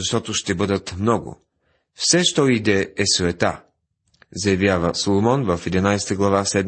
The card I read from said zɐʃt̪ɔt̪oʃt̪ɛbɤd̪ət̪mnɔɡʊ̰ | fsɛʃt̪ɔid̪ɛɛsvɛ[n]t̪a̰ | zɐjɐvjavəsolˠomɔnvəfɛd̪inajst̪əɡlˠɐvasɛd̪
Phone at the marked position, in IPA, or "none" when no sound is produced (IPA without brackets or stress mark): none